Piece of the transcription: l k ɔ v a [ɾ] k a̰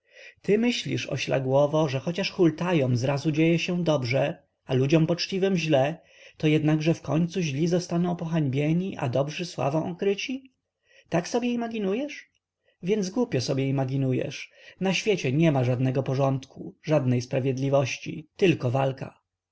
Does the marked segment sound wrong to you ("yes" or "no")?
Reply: yes